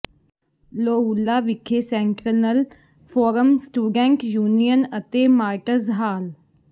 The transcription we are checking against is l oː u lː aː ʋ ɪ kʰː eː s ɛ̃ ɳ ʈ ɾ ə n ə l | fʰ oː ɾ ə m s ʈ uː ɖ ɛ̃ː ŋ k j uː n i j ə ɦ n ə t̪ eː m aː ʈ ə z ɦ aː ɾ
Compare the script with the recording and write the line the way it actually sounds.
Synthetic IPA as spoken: l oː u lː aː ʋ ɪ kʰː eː s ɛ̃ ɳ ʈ ɾ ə n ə l | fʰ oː ɾ ə m s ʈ uː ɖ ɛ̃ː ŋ k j uː n i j ə n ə t̪ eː m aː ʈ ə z ɦ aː l